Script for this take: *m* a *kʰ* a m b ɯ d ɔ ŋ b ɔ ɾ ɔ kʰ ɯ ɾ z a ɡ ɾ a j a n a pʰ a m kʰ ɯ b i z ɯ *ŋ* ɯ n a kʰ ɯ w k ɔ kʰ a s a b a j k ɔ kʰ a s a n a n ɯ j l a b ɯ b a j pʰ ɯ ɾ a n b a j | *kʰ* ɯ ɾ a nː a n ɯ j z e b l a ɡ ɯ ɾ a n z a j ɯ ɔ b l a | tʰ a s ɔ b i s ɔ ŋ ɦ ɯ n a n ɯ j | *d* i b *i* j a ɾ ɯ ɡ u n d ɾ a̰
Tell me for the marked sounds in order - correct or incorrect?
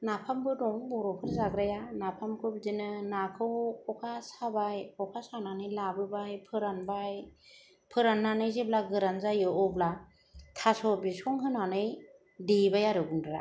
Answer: incorrect: n, incorrect: pʰ, incorrect: n, incorrect: pʰ, correct, incorrect: a

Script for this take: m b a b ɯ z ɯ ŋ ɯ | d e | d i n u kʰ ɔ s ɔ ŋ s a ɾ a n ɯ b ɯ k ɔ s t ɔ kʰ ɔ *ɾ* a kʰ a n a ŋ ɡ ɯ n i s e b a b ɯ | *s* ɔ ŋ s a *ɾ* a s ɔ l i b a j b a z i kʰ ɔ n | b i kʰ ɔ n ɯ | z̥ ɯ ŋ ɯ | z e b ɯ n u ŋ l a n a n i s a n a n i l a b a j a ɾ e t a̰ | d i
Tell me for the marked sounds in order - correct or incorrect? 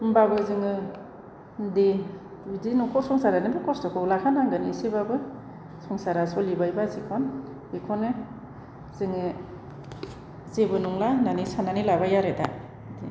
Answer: incorrect: l, correct, correct

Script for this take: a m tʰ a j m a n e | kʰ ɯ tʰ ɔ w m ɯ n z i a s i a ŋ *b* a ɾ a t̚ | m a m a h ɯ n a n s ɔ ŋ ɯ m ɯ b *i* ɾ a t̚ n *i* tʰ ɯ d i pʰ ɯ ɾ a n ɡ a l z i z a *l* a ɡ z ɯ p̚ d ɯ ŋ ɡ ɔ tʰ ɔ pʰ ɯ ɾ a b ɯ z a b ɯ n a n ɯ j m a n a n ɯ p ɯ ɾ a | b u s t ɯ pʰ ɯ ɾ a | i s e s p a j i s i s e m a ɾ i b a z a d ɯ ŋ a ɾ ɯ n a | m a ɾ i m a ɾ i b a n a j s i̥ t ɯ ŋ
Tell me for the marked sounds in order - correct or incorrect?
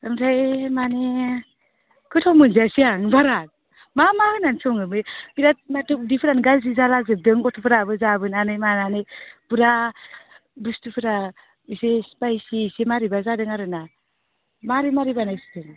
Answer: correct, correct, incorrect: a, correct

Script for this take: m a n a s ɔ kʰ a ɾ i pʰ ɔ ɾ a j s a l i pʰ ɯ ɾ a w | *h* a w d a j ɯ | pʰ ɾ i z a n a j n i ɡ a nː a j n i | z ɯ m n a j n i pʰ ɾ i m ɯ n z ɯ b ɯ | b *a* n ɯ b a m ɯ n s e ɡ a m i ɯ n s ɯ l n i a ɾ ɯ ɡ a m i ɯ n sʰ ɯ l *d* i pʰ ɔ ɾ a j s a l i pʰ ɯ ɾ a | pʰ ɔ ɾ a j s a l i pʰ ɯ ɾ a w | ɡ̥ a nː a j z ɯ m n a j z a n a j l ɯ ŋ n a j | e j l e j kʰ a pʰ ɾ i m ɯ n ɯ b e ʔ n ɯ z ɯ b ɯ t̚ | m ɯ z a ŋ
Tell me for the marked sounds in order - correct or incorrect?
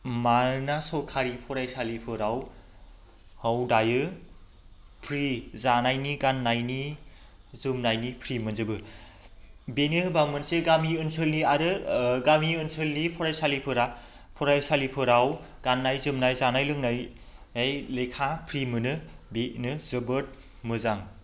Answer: correct, incorrect: e, incorrect: n

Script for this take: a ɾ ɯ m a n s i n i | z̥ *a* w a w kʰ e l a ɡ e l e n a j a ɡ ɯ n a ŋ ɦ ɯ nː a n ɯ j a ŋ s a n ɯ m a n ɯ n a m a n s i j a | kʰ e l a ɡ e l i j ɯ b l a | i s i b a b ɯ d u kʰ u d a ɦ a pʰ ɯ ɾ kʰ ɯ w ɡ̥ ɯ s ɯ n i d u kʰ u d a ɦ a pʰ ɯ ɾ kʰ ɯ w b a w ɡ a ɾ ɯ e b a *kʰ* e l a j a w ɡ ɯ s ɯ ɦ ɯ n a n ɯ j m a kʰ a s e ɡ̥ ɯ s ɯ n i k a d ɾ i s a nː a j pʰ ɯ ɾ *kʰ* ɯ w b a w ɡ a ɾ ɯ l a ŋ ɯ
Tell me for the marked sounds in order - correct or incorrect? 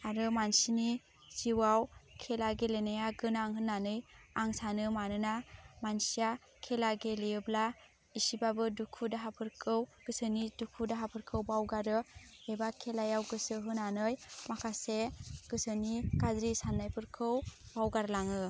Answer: incorrect: i, correct, correct

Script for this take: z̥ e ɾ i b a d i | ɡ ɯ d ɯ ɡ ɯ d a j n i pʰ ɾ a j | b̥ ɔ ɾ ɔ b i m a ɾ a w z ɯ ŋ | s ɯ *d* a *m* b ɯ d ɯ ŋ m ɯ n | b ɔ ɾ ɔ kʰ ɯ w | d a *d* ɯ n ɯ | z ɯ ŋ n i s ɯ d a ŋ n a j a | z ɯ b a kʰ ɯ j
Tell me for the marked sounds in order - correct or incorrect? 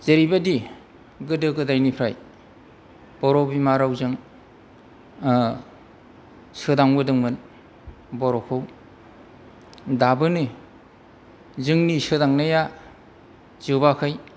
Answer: correct, incorrect: ŋ, incorrect: b

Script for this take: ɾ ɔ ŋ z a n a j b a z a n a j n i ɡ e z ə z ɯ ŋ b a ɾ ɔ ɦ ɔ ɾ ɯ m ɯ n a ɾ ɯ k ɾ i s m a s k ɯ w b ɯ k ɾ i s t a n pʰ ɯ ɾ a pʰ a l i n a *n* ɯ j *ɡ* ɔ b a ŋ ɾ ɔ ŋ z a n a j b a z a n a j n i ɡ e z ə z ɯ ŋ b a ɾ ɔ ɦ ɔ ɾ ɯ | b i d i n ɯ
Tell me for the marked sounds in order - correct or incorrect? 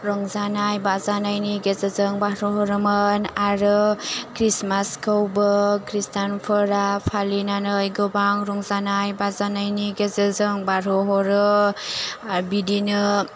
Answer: correct, correct

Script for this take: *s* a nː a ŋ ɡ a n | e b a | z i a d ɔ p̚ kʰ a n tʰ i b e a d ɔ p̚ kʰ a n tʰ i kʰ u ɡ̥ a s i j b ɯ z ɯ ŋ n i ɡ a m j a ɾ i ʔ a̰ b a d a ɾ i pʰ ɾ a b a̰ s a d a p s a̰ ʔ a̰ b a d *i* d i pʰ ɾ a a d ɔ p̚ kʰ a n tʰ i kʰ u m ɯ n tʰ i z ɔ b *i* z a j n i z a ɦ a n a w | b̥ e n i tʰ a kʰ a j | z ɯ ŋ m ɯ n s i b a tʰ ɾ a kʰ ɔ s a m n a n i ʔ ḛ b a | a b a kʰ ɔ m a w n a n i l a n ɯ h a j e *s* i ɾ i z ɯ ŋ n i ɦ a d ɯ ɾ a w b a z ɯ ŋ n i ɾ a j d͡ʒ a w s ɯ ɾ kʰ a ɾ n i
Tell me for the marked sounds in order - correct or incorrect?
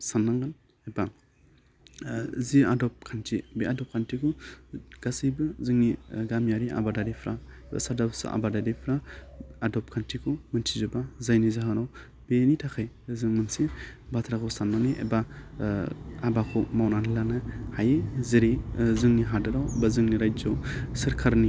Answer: correct, incorrect: a, incorrect: a, incorrect: z

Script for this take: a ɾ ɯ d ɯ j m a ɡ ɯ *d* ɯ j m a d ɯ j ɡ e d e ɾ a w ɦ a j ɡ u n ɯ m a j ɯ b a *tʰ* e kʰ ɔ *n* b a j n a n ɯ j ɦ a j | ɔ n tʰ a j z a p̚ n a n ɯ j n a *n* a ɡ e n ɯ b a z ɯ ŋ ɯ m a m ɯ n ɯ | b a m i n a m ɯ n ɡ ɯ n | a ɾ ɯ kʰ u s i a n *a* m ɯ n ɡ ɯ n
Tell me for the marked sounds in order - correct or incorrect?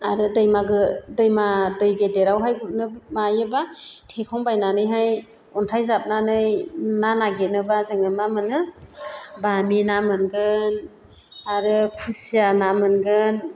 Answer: correct, correct, incorrect: ŋ, correct, correct

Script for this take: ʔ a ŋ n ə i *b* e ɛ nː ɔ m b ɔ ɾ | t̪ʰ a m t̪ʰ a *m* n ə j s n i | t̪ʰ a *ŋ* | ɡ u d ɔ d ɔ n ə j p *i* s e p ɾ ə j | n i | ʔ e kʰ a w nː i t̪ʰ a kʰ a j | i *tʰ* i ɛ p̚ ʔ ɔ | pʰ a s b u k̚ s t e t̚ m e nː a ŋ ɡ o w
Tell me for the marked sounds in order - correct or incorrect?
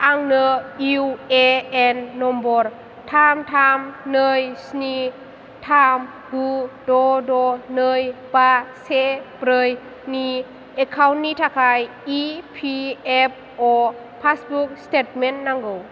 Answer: incorrect: w, correct, incorrect: m, incorrect: a, incorrect: pʰ

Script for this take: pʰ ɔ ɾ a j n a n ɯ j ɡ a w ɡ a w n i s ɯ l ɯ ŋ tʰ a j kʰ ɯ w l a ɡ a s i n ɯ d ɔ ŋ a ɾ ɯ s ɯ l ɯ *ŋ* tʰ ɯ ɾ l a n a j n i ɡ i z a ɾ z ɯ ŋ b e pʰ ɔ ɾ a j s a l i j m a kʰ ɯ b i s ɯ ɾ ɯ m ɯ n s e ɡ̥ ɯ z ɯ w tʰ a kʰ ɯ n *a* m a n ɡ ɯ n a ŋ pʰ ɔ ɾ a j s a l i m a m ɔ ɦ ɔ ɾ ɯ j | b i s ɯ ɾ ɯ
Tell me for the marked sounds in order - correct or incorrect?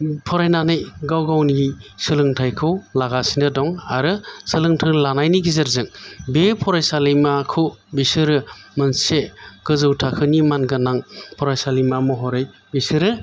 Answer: correct, incorrect: i

